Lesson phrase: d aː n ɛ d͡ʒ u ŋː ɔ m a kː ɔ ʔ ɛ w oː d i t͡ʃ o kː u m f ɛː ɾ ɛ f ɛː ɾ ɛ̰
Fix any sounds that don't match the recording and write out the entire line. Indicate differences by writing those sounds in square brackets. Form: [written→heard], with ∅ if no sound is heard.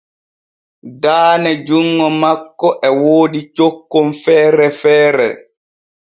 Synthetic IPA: d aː n ɛ d͡ʒ u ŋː ɔ m a kː ɔ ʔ ɛ w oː d i t͡ʃ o kː [u→o] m f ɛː ɾ ɛ f ɛː ɾ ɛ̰